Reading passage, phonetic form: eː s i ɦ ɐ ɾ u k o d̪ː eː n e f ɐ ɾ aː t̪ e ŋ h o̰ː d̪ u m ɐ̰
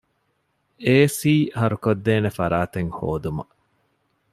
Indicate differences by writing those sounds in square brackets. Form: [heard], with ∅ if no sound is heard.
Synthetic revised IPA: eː s [iː] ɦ ɐ ɾ u k o d̪ː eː n e f ɐ ɾ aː t̪ e ŋ h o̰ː d̪ u m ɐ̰